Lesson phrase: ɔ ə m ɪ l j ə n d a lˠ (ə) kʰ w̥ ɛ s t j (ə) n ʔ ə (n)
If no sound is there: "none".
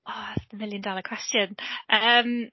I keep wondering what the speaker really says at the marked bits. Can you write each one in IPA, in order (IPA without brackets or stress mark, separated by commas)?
ə, ə, m